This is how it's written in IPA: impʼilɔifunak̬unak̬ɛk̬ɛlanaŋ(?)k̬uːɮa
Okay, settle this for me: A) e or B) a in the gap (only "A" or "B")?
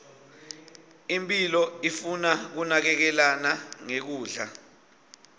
A